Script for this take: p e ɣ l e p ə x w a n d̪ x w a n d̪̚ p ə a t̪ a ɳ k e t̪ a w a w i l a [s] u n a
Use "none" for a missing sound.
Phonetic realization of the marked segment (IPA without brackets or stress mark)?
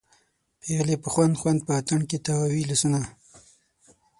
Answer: s